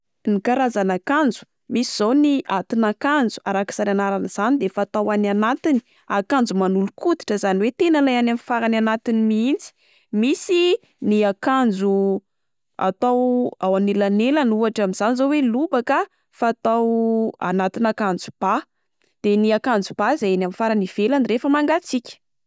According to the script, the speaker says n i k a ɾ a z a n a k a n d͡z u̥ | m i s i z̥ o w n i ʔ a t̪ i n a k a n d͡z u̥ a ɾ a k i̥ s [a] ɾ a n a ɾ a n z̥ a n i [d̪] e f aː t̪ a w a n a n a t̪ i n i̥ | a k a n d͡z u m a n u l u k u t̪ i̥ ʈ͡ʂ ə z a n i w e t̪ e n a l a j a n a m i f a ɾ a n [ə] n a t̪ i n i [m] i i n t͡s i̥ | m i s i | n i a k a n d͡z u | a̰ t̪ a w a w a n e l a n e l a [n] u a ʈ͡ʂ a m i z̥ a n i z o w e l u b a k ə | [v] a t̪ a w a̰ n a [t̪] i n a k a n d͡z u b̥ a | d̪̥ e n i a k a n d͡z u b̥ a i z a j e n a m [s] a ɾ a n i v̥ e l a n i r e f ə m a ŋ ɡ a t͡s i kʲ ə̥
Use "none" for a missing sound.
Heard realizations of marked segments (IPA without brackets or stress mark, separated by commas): a, d̪, a, m, n, f, t̪, f